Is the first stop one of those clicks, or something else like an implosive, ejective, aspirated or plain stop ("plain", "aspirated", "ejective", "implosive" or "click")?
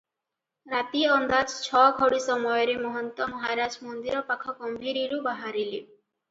plain